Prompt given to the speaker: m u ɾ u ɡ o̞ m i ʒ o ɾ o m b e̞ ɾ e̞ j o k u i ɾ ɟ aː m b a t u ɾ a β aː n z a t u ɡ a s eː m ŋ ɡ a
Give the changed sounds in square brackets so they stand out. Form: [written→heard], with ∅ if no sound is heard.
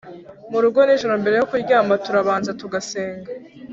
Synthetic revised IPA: m u ɾ u ɡ o̞ [m→n] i ʒ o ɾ o m b e̞ ɾ e̞ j o k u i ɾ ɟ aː m b a t u ɾ a β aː n z a t u ɡ a s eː [m→∅] ŋ ɡ a